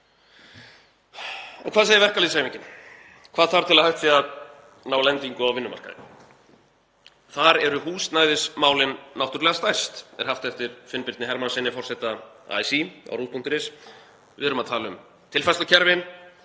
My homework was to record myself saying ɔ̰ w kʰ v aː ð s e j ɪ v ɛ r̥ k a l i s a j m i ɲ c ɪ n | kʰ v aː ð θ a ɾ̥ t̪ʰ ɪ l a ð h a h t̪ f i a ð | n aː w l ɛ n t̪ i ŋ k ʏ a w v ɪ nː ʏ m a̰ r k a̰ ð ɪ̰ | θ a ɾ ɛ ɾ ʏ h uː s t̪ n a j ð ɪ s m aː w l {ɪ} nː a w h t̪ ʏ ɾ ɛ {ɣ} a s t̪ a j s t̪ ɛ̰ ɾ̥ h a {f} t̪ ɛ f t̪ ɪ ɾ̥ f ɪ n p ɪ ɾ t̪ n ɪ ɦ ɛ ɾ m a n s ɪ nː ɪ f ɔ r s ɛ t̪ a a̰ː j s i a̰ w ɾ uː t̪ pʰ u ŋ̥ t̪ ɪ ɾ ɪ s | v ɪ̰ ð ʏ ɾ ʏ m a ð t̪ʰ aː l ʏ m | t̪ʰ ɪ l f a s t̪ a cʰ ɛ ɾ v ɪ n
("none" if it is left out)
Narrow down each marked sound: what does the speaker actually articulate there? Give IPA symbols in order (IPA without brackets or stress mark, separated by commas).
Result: ɪ, ɣ, f